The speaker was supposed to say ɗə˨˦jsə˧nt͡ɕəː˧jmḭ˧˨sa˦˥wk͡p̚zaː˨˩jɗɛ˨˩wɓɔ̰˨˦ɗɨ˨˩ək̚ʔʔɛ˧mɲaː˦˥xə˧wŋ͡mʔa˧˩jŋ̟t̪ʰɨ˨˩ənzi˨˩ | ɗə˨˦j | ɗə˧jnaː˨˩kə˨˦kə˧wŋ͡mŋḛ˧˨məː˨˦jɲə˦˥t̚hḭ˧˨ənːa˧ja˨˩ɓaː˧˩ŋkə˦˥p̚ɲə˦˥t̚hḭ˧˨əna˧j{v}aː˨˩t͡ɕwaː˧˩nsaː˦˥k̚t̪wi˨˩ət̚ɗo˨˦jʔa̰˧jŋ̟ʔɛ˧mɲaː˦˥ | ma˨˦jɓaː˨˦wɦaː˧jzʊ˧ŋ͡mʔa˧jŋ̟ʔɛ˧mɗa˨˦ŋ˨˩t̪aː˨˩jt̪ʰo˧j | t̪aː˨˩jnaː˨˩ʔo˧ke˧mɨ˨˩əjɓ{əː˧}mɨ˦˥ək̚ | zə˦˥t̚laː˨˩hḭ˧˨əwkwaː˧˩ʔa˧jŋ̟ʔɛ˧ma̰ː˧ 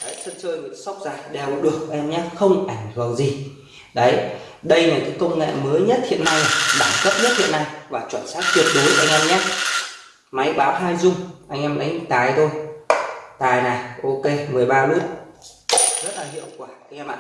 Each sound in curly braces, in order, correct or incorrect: correct, incorrect: aː˧

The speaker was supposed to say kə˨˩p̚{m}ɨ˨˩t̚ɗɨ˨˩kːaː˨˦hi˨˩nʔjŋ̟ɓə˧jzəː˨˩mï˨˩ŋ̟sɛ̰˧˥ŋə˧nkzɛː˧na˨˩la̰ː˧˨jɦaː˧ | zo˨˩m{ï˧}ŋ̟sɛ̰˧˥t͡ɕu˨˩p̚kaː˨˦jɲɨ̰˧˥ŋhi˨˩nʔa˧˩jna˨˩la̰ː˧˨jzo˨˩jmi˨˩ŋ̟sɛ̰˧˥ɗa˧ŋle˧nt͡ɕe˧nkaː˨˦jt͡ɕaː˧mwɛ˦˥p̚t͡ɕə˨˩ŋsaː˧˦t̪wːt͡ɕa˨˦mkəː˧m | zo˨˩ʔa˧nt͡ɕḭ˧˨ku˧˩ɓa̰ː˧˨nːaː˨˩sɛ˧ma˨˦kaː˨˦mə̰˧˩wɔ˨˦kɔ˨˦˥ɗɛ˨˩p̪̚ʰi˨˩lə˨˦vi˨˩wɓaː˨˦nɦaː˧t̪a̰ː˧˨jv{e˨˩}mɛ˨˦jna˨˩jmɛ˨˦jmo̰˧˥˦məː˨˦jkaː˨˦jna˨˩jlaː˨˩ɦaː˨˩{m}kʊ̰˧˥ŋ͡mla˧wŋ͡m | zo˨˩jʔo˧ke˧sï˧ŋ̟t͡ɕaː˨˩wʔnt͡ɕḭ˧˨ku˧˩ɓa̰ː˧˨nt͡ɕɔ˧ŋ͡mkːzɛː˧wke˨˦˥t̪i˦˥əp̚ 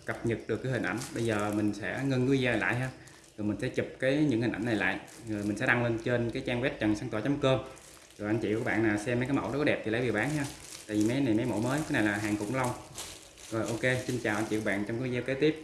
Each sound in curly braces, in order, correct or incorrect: incorrect: ɲ, incorrect: ï˨˩, incorrect: i˨˩, incorrect: ŋ

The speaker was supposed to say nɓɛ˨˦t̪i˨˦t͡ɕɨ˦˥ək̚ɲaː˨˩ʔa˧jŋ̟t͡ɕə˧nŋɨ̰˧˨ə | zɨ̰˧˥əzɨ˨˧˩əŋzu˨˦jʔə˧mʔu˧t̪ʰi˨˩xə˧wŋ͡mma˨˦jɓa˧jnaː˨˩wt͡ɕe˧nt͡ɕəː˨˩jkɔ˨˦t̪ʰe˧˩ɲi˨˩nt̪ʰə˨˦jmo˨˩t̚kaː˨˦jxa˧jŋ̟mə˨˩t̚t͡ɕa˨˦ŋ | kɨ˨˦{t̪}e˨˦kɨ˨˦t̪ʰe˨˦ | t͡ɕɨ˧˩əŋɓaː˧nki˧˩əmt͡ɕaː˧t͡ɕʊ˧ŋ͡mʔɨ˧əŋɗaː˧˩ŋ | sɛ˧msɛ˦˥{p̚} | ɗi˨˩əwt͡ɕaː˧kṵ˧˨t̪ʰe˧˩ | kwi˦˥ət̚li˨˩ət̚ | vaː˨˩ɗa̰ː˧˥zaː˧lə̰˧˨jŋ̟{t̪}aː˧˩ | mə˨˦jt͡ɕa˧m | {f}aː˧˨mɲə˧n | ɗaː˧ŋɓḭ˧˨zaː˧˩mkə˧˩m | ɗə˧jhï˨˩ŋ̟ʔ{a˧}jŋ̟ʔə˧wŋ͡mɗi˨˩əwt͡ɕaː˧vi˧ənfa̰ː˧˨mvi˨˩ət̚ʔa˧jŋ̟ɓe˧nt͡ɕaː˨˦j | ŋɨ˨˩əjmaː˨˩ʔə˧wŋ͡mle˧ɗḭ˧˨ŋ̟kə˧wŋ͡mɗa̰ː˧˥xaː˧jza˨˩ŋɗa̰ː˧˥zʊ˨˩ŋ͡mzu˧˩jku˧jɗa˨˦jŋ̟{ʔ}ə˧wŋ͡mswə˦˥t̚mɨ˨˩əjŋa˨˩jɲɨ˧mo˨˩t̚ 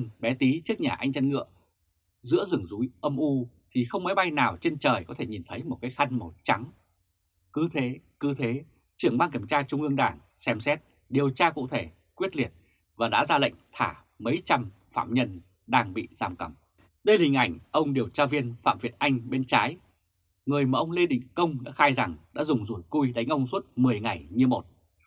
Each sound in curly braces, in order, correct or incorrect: incorrect: t̪ʰ, incorrect: t̚, incorrect: t̪ʰ, correct, incorrect: a˧˩, correct

